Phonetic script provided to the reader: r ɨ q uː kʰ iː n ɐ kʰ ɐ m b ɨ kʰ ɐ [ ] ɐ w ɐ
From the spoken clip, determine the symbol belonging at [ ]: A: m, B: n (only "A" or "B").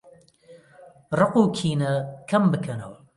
B